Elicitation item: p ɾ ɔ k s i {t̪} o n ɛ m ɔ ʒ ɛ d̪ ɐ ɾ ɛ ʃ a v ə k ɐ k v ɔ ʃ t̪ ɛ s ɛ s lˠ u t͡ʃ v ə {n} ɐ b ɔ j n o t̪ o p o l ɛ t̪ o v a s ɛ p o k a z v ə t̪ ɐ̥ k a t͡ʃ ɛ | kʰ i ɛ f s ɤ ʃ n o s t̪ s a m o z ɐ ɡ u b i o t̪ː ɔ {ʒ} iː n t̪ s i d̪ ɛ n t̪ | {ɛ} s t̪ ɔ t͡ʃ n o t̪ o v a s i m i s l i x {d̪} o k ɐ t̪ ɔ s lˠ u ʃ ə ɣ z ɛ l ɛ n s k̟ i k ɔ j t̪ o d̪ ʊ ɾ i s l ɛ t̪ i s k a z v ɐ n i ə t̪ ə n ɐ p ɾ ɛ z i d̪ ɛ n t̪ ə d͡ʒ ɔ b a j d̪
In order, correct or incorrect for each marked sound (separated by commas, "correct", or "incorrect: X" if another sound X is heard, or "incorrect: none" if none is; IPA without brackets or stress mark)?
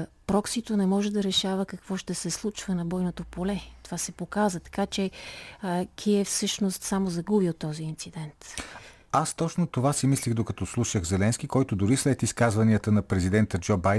correct, correct, incorrect: z, incorrect: a, correct